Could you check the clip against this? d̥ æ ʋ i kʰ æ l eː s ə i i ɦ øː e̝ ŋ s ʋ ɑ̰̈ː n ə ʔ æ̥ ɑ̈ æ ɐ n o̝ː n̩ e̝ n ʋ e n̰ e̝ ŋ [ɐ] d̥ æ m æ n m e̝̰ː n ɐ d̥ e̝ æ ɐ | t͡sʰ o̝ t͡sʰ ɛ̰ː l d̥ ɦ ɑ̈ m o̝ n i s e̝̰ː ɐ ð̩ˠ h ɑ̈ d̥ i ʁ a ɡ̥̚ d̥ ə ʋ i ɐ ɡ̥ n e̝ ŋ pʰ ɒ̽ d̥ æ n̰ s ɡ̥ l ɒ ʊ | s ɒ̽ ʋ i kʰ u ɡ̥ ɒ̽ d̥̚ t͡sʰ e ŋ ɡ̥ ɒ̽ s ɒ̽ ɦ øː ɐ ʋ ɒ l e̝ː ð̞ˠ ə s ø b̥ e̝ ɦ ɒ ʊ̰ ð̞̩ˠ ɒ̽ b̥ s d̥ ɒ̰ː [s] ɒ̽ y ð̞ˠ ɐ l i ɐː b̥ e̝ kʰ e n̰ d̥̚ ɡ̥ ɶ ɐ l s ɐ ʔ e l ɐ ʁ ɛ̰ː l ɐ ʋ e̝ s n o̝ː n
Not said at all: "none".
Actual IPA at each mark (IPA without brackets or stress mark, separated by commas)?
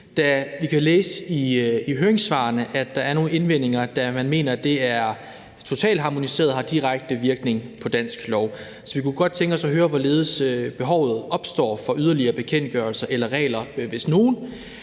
ɐ, f